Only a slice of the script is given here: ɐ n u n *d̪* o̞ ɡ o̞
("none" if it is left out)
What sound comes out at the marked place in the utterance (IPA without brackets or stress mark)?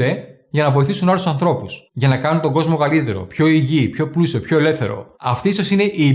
t̪